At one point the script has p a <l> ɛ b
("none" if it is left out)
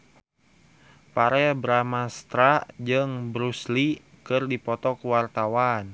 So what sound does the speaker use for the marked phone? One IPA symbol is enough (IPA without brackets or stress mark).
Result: ɾ